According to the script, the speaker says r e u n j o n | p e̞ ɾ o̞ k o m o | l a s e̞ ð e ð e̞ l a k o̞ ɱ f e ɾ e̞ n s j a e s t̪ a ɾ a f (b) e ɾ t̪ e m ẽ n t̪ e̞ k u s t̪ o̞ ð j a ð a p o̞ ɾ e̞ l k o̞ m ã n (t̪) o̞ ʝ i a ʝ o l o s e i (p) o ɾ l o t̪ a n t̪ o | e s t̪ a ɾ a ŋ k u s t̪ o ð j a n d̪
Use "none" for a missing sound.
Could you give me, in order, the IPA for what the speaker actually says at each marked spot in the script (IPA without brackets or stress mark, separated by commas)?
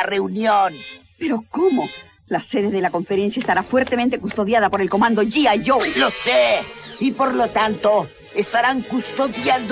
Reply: w, d̪, p